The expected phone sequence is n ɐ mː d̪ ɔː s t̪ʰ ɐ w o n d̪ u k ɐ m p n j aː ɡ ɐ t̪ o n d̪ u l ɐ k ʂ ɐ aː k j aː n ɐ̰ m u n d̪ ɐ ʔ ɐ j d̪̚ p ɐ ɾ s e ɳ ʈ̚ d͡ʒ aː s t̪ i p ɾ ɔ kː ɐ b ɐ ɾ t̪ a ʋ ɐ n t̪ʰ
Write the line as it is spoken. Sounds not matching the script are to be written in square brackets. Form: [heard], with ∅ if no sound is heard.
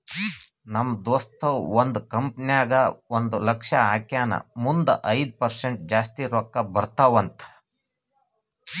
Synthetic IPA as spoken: n ɐ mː d̪ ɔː s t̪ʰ ɐ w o n d̪ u k ɐ m p n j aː ɡ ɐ [∅] o n d̪ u l ɐ k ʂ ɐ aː k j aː n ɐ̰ m u n d̪ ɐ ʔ ɐ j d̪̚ p ɐ ɾ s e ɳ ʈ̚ d͡ʒ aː s t̪ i [∅] ɾ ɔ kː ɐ b ɐ ɾ t̪ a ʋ ɐ n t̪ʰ